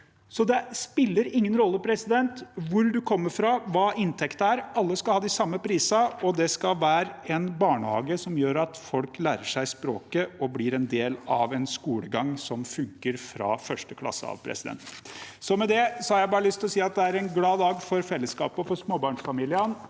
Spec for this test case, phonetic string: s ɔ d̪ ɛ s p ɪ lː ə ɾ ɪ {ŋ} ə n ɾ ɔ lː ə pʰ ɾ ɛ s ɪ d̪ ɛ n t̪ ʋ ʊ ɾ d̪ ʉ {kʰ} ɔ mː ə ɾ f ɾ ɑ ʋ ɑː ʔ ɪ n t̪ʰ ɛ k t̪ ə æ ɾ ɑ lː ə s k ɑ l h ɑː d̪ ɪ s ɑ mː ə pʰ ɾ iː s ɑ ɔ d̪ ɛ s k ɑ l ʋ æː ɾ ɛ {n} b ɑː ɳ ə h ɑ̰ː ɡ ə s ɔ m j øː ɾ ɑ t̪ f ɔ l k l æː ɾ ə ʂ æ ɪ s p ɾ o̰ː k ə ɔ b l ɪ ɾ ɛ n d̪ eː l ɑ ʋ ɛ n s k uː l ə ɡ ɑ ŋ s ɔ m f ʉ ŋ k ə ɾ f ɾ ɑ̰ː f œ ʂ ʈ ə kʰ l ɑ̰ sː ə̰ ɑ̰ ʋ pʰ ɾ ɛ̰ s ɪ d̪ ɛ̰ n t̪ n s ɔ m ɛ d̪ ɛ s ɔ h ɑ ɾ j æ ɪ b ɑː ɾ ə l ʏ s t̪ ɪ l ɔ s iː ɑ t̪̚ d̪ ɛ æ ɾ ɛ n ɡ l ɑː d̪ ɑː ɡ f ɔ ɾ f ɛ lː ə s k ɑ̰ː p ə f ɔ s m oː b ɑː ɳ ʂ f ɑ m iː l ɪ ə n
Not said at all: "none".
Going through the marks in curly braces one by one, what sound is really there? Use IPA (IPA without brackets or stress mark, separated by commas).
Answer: ŋː, kʰ, n